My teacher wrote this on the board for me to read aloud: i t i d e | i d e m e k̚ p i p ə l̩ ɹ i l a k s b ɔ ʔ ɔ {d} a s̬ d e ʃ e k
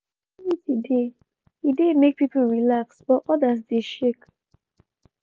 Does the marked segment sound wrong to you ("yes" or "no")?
no